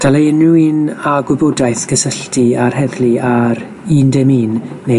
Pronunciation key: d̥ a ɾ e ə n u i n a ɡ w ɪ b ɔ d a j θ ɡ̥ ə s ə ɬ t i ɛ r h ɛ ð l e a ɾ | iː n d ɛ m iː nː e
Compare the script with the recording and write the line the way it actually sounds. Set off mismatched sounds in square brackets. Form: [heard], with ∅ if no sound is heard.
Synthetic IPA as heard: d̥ a [l] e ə n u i n a ɡ w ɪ b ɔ d a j θ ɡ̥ ə s ə ɬ t i [a] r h ɛ ð l [i] a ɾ | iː n d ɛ m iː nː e